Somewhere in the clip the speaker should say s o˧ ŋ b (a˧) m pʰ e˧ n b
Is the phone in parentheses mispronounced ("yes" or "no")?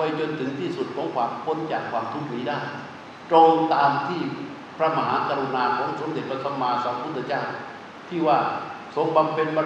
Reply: no